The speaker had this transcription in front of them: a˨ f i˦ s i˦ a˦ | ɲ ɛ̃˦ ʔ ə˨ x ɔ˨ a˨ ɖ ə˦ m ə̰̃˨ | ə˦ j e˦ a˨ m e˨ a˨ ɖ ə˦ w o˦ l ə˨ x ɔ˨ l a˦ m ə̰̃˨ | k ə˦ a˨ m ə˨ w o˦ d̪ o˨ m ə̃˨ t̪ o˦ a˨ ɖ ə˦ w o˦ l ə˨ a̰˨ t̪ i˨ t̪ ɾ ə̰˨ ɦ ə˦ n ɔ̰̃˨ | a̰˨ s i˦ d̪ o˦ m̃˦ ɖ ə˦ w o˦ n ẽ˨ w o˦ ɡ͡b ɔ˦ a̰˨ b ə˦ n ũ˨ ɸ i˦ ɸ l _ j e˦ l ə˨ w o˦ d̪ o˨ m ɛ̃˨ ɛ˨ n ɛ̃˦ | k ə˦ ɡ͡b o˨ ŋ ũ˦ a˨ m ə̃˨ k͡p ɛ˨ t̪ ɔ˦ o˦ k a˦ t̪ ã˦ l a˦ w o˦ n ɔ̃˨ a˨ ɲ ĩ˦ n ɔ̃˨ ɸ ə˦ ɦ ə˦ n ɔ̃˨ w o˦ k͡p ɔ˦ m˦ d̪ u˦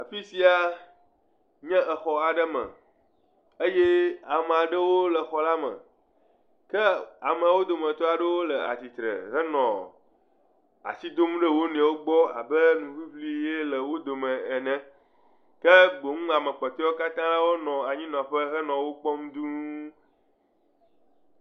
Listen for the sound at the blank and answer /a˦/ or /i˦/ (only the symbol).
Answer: i˦